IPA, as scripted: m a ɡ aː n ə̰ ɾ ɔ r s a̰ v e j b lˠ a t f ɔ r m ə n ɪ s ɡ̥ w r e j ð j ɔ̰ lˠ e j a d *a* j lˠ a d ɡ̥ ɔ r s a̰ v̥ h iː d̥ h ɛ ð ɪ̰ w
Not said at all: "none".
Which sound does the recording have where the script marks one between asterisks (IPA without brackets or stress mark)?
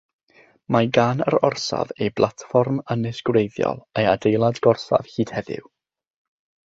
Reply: e